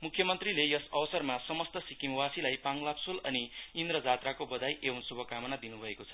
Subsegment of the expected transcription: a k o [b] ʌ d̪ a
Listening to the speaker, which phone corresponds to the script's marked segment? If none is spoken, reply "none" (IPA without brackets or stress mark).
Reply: b